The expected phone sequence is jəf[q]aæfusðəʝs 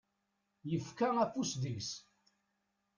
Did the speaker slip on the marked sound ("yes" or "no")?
yes